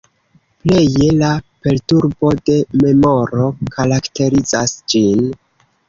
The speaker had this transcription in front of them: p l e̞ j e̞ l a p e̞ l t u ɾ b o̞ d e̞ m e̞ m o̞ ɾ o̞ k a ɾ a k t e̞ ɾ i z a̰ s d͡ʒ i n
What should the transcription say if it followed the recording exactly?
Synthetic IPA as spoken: p l e̞ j e̞ l a p e̞ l t u ɾ b o̞ d e̞ m e̞ m o̞ ɾ o̞ k a ɾ a k t e̞ ɾ i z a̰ s d͡ʒ i n